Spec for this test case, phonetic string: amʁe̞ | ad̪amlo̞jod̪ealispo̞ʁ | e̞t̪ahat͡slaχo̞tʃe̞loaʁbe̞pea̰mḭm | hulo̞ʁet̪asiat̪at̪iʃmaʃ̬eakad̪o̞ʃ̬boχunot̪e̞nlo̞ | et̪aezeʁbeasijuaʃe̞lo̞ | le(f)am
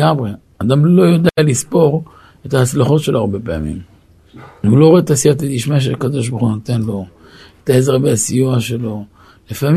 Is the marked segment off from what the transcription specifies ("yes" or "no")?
no